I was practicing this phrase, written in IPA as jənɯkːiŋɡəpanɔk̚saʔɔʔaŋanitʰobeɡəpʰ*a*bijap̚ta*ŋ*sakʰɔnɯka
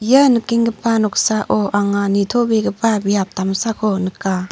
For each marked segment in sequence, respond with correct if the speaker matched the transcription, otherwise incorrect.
correct, incorrect: m

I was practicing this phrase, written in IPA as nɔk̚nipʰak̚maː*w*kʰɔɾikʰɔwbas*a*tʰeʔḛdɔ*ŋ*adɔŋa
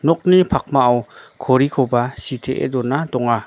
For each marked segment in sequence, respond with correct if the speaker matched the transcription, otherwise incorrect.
correct, incorrect: i, incorrect: n

